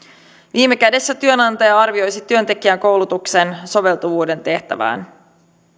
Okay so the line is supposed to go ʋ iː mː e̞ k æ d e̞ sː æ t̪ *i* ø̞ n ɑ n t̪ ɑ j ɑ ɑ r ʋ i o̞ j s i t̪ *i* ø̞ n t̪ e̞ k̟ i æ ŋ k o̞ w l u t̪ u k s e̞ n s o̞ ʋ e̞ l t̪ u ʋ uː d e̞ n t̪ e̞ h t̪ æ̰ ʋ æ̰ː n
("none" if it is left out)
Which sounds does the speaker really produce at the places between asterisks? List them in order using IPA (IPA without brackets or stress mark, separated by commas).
y, y